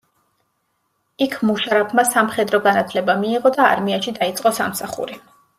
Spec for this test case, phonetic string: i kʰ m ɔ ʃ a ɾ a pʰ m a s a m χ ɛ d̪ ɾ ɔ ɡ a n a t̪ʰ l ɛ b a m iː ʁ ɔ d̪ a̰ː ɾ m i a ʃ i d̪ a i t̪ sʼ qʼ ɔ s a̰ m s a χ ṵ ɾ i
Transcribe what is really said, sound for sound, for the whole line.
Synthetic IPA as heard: i kʰ m u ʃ a ɾ a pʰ m a s a m χ ɛ d̪ ɾ ɔ ɡ a n a t̪ʰ l ɛ b a m iː ʁ ɔ d̪ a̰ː ɾ m i a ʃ i d̪ a i t̪ sʼ qʼ ɔ s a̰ m s a χ ṵ ɾ i